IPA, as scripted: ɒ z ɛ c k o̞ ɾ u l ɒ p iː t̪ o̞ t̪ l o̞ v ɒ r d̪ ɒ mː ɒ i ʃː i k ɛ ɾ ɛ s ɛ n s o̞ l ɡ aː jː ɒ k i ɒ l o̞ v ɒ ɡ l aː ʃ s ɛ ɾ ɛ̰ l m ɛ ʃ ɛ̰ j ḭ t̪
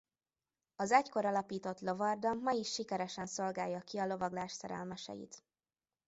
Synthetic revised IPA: ɒ z ɛ c k o̞ ɾ ɒ l ɒ p iː t̪ o̞ t̪ l o̞ v ɒ r d̪ ɒ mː ɒ i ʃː i k ɛ ɾ ɛ ʃ ɛ n s o̞ l ɡ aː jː ɒ k i ɒ l o̞ v ɒ ɡ l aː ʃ s ɛ ɾ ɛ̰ l m ɛ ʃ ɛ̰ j ḭ t̪